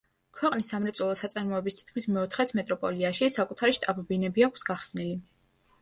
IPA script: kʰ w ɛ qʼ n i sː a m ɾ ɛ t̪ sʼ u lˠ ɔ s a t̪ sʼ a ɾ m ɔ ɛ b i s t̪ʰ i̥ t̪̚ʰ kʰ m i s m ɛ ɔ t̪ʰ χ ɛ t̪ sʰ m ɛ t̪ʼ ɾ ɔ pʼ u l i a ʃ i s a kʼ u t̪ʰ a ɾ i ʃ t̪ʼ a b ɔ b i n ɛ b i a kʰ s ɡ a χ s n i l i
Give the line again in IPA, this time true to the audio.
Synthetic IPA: kʰ w ɛ qʼ n i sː a m ɾ ɛ t̪ sʼ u lˠ ɔ s a t̪ sʼ a ɾ m ɔ ɛ b i s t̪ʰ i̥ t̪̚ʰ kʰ m i s m ɛ ɔ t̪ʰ χ ɛ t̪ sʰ m ɛ t̪ʼ ɾ ɔ pʼ ɔ l i a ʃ i s a kʼ u t̪ʰ a ɾ i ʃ t̪ʼ a b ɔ b i n ɛ b i a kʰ s ɡ a χ s n i l i